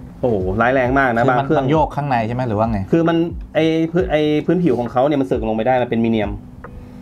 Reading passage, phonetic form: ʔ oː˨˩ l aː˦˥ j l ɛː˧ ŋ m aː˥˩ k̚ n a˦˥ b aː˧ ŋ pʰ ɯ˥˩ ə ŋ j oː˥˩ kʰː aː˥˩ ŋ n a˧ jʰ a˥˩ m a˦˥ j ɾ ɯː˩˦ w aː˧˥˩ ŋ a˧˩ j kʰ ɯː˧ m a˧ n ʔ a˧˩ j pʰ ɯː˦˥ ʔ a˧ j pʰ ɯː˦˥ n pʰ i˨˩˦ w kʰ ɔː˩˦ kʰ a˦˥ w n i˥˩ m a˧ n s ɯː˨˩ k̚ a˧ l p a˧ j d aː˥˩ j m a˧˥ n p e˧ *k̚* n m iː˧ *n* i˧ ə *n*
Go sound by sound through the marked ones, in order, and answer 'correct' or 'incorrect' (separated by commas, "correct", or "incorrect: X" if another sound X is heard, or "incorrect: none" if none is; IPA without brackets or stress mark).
incorrect: none, correct, incorrect: m